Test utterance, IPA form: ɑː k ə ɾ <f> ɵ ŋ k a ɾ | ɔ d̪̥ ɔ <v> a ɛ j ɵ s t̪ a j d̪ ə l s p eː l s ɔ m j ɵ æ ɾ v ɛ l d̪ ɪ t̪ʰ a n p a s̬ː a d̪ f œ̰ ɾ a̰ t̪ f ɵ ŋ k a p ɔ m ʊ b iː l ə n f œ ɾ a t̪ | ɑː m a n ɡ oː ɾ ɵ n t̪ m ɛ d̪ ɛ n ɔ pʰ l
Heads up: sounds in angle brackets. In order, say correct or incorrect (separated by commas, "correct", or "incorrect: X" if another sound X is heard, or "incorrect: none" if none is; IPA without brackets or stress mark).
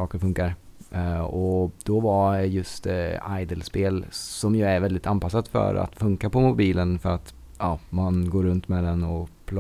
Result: correct, correct